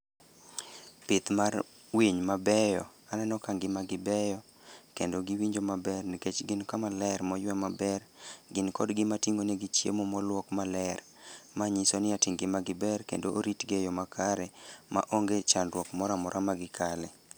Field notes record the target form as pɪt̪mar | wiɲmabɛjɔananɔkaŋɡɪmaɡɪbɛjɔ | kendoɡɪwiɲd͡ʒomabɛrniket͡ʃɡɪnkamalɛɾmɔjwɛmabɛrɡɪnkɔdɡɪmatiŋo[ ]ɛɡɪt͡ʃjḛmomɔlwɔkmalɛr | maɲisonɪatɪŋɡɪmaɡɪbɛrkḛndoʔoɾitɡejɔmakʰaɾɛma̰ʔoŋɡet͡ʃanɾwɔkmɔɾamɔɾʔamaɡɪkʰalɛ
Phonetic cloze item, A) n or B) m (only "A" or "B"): A